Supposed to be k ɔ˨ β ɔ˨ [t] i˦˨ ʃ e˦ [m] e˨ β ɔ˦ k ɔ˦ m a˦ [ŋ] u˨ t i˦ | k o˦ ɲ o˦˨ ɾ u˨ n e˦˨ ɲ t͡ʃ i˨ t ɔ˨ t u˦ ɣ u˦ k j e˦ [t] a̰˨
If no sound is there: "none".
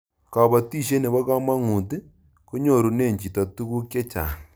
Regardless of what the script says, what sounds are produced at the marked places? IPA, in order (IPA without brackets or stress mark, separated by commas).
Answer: t, n, ŋ, t͡ʃ